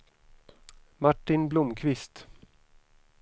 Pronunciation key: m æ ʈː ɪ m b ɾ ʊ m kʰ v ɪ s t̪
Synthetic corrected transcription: m a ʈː ɪ n b l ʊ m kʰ v ɪ s t̪